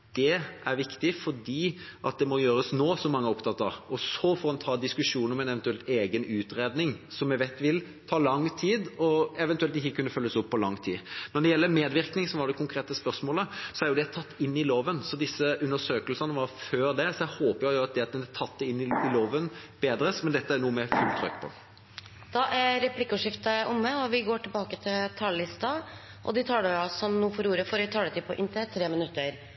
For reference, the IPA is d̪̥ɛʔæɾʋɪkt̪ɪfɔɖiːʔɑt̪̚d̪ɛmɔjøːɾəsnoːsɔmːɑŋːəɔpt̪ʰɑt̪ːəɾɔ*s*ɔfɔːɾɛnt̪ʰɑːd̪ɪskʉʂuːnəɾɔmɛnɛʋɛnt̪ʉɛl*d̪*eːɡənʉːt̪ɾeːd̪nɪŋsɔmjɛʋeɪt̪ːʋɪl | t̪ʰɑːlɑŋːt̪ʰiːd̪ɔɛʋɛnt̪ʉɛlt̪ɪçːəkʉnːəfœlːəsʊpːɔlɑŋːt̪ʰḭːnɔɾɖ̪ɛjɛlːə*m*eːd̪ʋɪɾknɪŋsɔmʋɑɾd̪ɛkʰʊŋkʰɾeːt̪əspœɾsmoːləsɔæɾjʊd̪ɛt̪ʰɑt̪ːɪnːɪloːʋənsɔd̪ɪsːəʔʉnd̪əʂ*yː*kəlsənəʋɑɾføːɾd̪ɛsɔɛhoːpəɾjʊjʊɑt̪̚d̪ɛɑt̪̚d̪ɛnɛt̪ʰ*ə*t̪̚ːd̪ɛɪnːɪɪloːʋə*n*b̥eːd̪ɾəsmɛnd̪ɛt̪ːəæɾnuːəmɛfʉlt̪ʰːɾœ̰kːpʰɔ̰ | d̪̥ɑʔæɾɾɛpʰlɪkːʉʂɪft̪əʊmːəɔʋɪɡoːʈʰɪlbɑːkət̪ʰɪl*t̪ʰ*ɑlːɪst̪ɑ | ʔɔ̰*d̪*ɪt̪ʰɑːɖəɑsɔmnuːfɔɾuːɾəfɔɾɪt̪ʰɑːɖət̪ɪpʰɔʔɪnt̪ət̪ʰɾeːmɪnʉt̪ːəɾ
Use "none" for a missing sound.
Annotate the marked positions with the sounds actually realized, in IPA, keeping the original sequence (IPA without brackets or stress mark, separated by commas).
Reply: s, t̪, m, øː, ɑ, n, t̪ʰ, d̪